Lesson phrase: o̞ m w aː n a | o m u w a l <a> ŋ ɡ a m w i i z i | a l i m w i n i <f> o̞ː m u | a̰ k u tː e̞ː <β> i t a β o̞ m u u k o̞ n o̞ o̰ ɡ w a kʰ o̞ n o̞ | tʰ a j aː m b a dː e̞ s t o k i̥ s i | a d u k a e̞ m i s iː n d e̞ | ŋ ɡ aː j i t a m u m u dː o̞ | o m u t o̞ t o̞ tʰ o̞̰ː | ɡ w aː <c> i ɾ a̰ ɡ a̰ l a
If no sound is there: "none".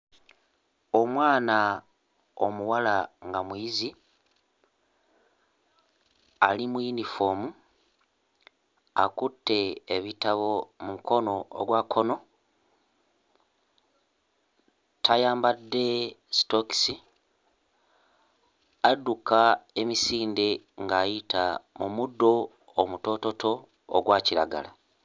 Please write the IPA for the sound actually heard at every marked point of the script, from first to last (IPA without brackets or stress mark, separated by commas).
a, f, β, c